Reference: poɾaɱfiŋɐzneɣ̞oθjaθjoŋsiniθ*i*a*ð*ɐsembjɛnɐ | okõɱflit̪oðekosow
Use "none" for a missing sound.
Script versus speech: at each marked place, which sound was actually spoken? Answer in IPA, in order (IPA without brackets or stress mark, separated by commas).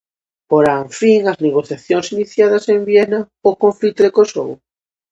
j, ð